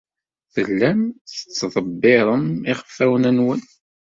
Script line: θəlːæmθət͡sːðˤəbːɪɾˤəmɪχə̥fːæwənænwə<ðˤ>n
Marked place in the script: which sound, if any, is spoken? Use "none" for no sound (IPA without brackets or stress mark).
none